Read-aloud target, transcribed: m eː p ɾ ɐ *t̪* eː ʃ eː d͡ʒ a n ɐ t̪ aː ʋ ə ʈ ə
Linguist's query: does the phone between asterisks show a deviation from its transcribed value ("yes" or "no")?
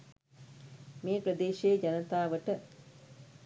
yes